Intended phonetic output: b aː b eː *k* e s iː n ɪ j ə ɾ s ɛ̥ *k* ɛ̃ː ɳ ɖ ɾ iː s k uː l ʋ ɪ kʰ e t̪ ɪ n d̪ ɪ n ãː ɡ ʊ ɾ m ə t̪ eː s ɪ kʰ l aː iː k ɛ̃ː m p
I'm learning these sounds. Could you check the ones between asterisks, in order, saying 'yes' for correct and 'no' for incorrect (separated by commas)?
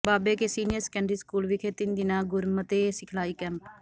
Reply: yes, yes